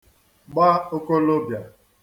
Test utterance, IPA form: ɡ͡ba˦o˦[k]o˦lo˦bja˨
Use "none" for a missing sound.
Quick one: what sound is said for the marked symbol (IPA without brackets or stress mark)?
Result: k